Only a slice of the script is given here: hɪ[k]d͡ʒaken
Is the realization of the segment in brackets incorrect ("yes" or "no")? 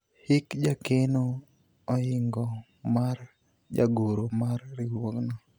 no